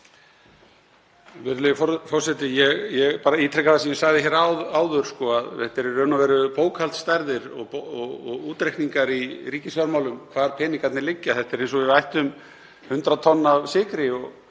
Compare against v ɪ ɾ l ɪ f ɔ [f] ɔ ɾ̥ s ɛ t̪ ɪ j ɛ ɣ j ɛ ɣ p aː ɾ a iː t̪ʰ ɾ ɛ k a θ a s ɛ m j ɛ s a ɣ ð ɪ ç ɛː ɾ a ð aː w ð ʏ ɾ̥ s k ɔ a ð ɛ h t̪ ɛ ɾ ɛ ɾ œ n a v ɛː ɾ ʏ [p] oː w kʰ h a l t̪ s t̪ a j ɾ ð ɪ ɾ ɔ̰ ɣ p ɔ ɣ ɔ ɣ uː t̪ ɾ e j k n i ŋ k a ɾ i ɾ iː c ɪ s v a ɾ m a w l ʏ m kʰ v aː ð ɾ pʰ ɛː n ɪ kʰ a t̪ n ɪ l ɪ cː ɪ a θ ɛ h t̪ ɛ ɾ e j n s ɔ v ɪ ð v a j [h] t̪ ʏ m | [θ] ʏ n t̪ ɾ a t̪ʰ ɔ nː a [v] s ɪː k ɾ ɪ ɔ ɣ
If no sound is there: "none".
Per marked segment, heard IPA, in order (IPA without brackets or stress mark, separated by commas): f, p, h, h, v